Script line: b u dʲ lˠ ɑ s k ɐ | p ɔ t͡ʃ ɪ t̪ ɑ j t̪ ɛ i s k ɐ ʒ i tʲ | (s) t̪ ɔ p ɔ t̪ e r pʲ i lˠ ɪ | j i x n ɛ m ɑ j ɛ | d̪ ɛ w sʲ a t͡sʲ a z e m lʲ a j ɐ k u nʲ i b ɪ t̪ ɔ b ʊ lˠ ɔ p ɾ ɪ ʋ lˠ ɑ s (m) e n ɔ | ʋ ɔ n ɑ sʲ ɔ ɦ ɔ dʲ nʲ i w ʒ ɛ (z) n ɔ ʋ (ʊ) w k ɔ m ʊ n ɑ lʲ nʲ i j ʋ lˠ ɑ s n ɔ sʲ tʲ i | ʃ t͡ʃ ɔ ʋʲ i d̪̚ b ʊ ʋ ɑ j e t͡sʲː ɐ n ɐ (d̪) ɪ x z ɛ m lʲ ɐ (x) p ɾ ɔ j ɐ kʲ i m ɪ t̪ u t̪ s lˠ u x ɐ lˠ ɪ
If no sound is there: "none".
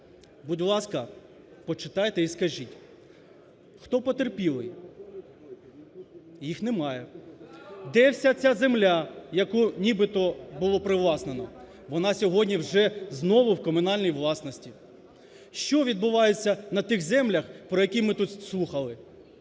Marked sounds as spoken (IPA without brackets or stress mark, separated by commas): x, n, z, ʊ, t̪, x